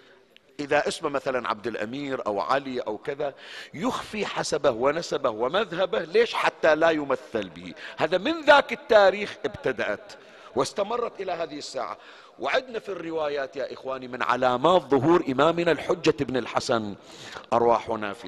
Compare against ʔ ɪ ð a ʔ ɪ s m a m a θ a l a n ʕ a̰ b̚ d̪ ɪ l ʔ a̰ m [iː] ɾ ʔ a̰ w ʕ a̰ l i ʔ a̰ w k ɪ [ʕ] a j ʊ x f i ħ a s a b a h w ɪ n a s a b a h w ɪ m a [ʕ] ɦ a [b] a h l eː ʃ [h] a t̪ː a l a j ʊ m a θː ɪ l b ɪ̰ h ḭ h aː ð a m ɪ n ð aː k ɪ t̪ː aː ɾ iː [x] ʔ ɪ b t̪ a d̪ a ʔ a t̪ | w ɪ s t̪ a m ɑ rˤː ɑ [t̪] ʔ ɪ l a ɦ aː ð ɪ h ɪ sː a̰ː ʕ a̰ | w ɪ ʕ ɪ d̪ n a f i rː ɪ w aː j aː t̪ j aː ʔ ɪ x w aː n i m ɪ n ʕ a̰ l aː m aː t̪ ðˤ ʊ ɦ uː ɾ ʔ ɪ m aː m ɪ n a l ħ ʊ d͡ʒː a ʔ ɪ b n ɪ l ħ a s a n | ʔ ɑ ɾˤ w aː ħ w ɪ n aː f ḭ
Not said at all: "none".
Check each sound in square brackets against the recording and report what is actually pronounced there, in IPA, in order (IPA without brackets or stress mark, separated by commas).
iː, ð, ð, b, ħ, x, t̪